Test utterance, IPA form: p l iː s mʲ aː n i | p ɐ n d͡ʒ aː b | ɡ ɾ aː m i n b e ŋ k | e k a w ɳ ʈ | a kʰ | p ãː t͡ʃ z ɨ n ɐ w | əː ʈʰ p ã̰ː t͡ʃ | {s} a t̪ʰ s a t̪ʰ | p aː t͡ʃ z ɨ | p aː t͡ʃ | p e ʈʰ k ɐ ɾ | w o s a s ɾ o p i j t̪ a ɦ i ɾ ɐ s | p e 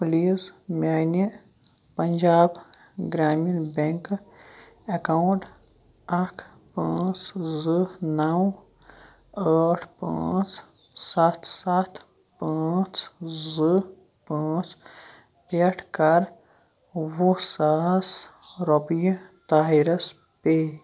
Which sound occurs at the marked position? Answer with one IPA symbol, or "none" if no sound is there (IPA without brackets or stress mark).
s